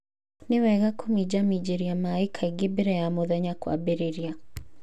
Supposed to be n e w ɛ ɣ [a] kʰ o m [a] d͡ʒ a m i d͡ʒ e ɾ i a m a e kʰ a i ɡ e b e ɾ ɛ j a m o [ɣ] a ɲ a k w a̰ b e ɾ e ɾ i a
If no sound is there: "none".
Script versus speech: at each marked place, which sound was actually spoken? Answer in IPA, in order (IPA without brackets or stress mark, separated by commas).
a, i, ð